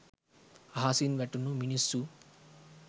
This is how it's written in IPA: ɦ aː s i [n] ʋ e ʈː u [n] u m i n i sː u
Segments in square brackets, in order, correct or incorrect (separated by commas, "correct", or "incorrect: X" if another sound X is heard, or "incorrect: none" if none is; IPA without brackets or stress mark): correct, correct